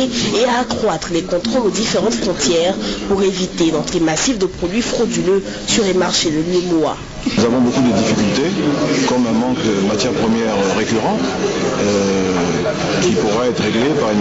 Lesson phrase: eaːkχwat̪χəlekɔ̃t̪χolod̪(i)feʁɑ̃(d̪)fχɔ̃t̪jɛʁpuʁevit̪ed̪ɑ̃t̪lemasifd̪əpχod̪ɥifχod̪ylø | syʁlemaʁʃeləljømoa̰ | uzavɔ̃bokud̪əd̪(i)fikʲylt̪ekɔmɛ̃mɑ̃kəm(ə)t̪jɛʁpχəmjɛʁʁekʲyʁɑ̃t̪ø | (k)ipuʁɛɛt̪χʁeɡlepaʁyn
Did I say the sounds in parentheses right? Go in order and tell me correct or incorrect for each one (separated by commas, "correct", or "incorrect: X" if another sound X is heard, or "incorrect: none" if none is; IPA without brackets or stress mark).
correct, incorrect: t̪, correct, incorrect: a, correct